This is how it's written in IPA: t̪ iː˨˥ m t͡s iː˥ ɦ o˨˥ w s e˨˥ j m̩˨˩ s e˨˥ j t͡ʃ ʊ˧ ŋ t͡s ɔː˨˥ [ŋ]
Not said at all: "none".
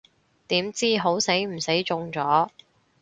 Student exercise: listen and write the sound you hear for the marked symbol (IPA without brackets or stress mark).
none